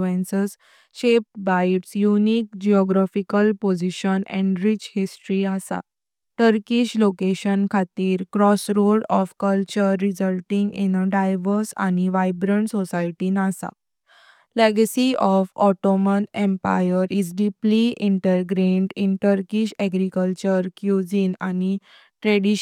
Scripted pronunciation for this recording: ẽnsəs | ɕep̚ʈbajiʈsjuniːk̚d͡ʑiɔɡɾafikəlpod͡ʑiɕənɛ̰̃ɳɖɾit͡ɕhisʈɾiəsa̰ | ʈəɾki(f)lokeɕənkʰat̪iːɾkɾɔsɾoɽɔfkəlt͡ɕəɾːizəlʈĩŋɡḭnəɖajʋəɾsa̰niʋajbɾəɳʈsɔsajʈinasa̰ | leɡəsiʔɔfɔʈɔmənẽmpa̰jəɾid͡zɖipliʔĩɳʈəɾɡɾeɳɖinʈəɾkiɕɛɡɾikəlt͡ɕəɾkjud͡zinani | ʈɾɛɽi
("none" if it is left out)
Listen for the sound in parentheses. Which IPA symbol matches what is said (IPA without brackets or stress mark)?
ɕ